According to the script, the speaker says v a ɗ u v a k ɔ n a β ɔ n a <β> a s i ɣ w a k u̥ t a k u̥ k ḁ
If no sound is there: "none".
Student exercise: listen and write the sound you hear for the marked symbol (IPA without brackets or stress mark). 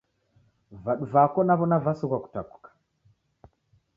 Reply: v